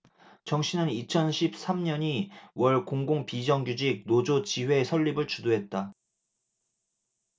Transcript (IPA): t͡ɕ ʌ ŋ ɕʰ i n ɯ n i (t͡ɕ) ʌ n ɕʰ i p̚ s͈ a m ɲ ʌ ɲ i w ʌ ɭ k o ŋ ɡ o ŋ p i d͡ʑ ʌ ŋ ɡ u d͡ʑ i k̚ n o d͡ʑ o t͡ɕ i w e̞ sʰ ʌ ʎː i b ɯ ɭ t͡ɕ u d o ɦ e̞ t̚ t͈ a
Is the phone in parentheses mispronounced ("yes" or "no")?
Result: yes